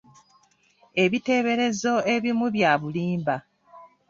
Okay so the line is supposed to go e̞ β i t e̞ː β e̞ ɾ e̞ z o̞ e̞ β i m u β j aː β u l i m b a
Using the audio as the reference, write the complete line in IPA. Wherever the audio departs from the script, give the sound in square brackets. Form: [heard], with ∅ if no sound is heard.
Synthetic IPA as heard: e̞ β i t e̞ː β e̞ ɾ e̞ z o̞ e̞ β i m u β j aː β u l [iː] m b a